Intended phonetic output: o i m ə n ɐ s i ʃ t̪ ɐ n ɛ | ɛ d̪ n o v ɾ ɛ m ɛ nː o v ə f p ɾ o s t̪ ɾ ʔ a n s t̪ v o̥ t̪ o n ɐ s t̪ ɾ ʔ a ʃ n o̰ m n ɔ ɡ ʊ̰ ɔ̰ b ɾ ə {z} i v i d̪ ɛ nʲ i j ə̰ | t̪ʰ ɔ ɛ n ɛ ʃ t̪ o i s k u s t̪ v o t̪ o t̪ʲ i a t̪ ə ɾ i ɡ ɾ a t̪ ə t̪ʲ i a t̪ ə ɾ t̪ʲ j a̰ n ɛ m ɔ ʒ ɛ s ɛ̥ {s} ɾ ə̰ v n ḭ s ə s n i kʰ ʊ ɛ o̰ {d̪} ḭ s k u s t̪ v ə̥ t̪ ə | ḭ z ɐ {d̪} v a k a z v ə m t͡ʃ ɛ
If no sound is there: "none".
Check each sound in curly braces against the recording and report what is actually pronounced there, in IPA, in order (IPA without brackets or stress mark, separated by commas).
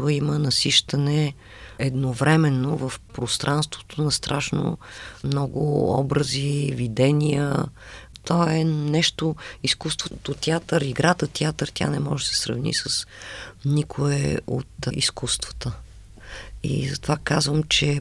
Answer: z, s, t̪, t̪